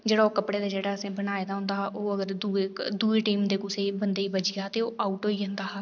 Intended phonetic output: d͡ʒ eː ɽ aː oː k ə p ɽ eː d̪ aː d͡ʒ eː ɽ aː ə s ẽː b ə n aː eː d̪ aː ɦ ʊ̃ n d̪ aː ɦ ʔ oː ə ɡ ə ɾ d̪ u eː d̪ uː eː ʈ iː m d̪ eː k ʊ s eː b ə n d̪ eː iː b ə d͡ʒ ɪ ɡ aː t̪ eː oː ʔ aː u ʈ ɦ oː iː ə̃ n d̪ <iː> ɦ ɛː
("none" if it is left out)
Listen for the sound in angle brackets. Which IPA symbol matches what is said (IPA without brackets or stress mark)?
aː